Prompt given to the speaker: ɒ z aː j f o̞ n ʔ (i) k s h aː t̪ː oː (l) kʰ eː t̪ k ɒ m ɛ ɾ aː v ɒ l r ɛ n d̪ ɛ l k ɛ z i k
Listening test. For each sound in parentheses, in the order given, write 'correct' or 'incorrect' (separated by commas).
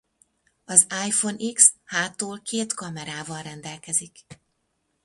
correct, correct